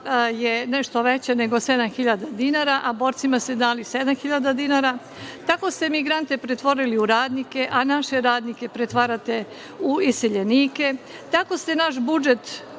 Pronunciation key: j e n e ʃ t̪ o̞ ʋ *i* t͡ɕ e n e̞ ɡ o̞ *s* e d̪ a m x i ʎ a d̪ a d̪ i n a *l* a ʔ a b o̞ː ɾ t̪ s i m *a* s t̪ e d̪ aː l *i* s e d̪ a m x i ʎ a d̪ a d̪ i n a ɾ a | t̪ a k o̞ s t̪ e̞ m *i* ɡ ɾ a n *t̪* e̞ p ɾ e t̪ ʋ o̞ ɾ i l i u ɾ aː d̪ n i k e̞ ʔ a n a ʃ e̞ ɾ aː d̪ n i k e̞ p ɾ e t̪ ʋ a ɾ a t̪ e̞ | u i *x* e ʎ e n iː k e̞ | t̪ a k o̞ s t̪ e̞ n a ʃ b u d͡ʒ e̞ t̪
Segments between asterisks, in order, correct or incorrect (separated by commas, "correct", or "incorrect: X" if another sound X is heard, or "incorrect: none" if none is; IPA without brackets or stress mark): incorrect: e, correct, incorrect: ɾ, correct, correct, correct, correct, incorrect: s